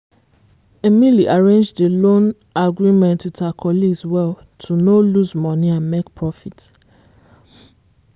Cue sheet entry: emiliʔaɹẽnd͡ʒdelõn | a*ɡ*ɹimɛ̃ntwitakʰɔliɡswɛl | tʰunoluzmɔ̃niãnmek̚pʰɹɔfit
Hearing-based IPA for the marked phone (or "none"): ɡ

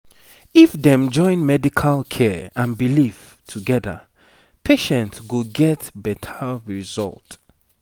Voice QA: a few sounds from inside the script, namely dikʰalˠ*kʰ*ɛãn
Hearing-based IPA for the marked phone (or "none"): kʰ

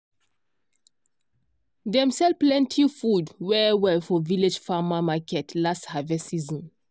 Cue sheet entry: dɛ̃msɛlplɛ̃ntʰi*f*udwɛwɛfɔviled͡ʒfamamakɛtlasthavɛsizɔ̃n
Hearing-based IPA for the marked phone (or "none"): f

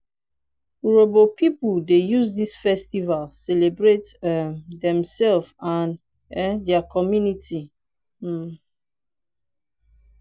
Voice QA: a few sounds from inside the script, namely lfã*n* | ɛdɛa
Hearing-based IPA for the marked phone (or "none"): n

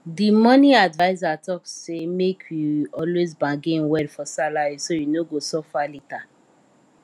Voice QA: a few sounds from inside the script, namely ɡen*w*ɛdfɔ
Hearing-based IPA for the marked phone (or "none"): w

